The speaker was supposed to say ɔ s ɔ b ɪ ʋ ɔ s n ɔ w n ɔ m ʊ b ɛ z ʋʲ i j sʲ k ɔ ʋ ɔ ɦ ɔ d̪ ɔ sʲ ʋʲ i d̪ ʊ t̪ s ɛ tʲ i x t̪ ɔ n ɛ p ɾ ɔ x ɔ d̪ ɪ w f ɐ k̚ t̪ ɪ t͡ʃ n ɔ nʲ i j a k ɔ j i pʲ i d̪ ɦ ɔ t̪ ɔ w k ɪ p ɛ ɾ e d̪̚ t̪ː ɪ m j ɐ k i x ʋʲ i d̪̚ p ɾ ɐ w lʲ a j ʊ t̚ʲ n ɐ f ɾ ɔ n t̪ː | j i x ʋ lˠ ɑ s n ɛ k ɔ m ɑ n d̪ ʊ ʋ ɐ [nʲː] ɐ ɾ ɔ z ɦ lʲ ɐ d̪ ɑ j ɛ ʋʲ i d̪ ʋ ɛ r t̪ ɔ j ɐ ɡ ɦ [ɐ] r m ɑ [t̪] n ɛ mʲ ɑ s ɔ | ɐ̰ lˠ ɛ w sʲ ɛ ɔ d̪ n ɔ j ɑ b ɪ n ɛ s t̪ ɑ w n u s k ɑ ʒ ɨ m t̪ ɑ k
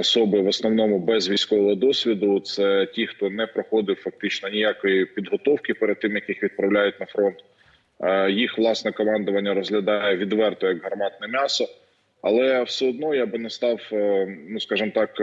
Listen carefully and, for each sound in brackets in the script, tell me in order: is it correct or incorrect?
correct, correct, correct

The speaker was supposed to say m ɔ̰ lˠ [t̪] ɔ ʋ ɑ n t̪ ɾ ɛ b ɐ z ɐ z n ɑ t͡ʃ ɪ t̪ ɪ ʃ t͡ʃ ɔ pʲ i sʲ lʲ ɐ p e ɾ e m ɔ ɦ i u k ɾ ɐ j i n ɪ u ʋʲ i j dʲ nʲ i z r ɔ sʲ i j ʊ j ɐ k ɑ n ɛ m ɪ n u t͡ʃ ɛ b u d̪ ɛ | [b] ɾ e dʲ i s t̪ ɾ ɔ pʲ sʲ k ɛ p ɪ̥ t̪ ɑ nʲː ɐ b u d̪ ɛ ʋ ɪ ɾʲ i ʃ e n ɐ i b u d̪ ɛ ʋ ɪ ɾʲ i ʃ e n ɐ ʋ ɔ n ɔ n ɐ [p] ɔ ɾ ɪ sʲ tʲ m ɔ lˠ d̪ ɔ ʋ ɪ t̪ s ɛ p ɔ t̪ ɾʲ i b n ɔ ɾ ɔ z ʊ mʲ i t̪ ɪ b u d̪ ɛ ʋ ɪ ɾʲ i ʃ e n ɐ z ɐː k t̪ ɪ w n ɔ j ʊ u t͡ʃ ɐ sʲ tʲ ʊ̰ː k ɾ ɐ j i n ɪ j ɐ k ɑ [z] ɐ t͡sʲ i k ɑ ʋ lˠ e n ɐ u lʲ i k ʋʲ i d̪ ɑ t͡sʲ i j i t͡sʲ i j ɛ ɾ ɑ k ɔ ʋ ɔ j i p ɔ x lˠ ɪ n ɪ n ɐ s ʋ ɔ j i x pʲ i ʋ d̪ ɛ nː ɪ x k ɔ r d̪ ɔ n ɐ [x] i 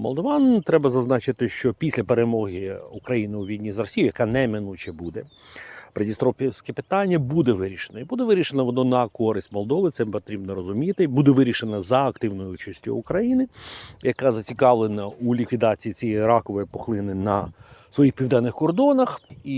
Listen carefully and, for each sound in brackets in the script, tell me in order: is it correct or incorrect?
incorrect: d̪, incorrect: p, incorrect: k, correct, correct

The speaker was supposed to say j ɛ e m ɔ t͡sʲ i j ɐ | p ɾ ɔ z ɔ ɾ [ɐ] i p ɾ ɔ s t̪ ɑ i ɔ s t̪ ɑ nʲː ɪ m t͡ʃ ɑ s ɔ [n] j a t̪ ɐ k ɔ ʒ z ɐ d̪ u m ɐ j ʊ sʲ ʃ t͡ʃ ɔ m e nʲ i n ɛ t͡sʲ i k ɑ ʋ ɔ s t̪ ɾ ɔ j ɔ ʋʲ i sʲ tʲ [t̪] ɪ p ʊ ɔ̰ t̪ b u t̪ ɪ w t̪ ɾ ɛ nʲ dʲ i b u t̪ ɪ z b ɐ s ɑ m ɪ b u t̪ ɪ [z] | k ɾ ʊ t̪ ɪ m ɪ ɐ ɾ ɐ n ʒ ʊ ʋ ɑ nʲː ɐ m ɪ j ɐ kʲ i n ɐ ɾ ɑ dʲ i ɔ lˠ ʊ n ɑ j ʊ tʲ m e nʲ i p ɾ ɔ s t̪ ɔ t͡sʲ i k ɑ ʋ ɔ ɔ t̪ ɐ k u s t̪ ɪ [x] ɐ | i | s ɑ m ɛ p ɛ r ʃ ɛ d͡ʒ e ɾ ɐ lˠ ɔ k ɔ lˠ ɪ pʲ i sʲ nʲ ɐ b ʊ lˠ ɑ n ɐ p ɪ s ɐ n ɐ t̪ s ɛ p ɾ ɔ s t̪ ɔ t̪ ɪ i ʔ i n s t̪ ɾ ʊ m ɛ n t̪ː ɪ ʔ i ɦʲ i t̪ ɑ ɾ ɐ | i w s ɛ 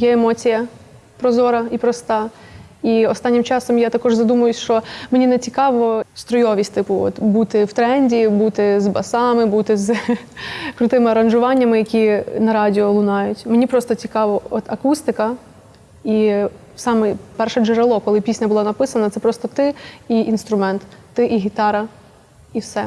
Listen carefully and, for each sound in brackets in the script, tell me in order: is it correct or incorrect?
correct, incorrect: m, correct, correct, incorrect: k

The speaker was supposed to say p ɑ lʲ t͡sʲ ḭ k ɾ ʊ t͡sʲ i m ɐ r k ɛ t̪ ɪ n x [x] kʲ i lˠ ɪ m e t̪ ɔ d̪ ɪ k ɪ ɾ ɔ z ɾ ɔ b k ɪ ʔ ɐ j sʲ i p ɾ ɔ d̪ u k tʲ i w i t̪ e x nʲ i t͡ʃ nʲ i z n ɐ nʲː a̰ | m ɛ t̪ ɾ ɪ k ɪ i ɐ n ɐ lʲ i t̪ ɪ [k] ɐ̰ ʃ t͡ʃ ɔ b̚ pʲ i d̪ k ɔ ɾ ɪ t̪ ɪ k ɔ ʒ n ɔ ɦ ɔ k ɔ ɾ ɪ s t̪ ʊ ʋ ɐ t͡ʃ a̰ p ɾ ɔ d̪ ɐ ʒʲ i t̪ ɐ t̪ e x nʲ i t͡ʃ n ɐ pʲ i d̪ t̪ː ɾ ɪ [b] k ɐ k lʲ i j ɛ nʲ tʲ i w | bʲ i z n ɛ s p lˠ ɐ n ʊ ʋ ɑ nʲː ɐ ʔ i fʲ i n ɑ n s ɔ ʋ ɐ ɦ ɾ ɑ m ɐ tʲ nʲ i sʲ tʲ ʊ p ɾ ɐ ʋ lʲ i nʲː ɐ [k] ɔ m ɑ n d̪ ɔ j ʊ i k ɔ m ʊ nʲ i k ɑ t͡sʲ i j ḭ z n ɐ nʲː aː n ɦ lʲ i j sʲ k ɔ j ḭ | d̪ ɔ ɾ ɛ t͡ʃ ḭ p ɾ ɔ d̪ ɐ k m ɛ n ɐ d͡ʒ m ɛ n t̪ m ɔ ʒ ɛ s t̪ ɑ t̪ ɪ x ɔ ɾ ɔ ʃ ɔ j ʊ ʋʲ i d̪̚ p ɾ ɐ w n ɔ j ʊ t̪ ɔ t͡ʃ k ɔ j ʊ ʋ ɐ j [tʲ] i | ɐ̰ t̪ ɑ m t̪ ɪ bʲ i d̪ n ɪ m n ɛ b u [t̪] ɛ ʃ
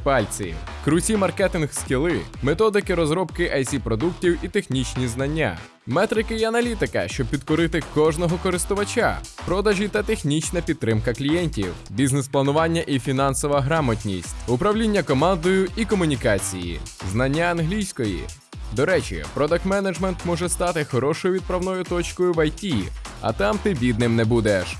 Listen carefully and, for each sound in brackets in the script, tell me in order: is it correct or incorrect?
incorrect: s, correct, incorrect: m, correct, correct, incorrect: d̪

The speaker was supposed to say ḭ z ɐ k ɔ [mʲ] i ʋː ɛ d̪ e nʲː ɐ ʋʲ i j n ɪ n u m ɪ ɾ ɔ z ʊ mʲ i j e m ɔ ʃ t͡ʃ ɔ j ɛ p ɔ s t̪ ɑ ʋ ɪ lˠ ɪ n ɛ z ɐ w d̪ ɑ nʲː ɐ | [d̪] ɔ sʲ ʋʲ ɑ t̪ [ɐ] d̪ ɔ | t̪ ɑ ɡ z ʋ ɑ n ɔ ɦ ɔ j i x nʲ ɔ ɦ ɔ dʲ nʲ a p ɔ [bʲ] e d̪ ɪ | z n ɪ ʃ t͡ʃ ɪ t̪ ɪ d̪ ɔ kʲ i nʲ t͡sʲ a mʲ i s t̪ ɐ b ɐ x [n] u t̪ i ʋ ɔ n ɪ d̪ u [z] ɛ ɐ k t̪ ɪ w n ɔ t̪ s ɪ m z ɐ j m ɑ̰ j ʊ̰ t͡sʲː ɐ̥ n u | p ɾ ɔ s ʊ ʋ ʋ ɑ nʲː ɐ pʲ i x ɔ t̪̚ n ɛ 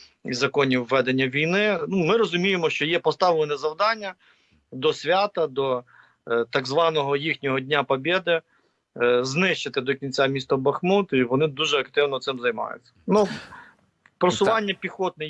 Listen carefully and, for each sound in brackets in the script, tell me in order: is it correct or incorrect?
incorrect: nʲ, correct, correct, correct, incorrect: m, incorrect: ʒ

